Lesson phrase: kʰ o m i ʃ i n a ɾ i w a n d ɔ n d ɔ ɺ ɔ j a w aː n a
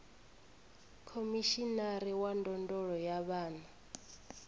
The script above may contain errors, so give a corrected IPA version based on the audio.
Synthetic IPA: kʰ o m i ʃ i n a ɾ i w a n d ɔ n d ɔ ɺ ɔ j a β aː n a